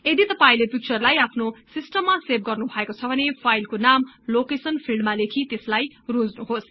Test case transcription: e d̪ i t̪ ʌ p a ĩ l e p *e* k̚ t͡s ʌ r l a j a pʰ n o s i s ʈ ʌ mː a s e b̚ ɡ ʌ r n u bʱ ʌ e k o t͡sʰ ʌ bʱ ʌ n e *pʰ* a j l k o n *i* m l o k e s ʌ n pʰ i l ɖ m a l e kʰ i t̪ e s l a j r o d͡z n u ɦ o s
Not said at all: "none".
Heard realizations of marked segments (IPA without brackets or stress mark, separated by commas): i, pʰ, a